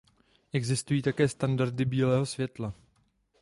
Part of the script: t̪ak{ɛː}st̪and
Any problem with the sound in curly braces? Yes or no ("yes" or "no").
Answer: no